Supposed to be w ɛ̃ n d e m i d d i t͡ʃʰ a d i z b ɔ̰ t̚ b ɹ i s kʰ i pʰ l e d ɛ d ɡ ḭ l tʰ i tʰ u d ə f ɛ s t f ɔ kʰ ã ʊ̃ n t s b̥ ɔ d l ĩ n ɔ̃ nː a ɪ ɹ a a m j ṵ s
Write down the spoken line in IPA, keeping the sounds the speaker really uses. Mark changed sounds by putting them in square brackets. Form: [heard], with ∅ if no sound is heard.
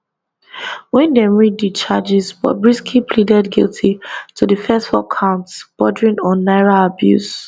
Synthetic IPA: w ɛ̃ n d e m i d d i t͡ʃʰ a [d͡ʒ] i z b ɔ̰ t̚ b ɹ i s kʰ i pʰ l [i] d ɛ d ɡ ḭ l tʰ i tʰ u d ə f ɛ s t f ɔ kʰ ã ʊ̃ n t s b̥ ɔ d [ɹ] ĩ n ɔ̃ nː a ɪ ɹ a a [b] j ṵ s